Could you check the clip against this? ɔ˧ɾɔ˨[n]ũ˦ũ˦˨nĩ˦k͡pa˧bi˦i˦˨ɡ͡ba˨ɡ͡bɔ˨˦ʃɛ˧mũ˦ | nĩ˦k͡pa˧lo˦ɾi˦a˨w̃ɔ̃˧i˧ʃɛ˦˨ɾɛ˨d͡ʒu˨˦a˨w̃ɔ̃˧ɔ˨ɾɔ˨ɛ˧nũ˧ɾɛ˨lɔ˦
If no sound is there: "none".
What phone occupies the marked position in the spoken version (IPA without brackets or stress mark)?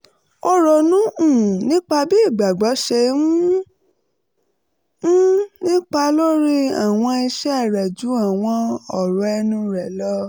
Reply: n